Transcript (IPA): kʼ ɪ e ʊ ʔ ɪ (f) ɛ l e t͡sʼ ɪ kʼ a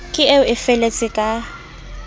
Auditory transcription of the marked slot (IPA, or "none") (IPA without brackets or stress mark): f